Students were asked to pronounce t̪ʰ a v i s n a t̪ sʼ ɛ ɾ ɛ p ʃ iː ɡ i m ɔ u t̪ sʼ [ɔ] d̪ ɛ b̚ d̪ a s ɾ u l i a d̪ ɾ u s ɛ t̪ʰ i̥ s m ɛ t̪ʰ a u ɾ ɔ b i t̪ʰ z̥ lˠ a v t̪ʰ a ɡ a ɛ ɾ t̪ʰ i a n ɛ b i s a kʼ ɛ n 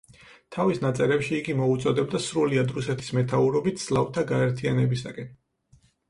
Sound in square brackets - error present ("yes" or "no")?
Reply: no